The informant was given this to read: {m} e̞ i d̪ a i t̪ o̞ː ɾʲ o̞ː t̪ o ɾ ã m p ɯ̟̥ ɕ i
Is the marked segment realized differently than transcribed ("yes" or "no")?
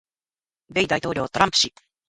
yes